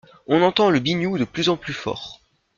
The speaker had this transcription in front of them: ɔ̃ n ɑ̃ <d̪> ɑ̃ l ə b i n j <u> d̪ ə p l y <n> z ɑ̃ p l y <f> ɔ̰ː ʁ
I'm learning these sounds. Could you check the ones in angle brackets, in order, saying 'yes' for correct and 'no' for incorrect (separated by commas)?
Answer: no, yes, no, yes